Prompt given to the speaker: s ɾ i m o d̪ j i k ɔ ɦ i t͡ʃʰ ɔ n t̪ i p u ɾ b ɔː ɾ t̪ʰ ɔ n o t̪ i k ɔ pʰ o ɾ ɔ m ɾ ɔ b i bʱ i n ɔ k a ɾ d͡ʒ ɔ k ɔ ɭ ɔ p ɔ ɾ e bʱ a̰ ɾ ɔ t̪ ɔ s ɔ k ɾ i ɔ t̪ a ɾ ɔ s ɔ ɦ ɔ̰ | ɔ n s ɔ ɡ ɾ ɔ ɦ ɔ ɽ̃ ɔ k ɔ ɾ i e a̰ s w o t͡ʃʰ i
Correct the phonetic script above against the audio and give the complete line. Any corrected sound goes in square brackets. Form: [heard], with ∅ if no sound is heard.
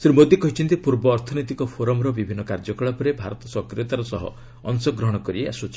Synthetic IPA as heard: s ɾ i m o d̪ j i k ɔ ɦ i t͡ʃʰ ɔ n t̪ i p u ɾ b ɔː ɾ t̪ʰ ɔ n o t̪ i k ɔ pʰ o ɾ ɔ m ɾ ɔ b i bʱ i [nː] ɔ k a ɾ d͡ʒ ɔ k ɔ ɭ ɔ p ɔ ɾ e bʱ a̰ ɾ ɔ t̪ ɔ s ɔ k ɾ i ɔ t̪ a ɾ ɔ s ɔ ɦ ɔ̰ | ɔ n s ɔ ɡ ɾ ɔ ɦ ɔ ɽ̃ ɔ k ɔ ɾ i e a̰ s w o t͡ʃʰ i